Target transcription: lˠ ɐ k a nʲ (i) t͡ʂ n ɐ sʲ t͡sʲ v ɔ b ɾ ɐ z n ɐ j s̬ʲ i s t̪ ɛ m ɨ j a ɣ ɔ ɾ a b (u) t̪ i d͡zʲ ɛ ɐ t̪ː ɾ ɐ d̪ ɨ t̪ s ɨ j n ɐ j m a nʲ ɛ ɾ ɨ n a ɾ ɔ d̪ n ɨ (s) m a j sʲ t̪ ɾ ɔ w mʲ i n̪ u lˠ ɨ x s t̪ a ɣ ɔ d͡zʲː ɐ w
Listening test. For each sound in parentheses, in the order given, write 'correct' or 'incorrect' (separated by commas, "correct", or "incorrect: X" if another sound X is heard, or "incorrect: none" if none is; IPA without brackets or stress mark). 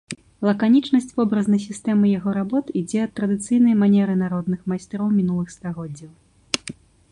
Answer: correct, incorrect: ɔ, incorrect: x